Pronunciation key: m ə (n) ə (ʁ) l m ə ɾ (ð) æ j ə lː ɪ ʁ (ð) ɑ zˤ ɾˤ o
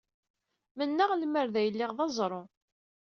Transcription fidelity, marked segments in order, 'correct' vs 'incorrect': incorrect: nː, correct, correct, correct

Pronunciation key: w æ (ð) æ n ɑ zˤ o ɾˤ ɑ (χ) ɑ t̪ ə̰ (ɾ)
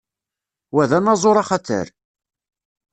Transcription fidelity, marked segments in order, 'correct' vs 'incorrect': correct, correct, correct

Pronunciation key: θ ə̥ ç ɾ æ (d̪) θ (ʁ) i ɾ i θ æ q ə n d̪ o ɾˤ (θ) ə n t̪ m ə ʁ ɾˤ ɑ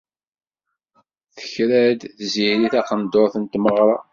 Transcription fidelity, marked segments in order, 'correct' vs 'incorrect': correct, incorrect: z, correct

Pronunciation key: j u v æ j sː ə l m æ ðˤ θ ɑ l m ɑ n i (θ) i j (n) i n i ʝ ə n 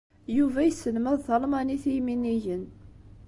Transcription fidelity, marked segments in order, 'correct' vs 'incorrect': correct, incorrect: m

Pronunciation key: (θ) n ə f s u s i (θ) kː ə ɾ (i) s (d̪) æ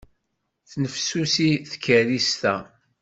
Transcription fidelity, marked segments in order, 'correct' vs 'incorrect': correct, correct, correct, incorrect: t̪

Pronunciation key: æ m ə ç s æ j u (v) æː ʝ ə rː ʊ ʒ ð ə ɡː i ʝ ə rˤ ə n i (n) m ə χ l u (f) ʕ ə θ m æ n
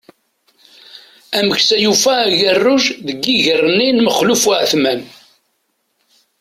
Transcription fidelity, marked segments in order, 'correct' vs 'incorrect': incorrect: f, correct, correct

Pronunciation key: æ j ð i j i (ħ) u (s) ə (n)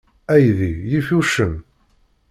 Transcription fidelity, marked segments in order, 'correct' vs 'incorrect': incorrect: f, incorrect: ʃ, incorrect: m

